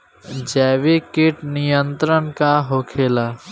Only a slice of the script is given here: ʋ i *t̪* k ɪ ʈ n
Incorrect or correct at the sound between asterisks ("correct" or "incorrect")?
incorrect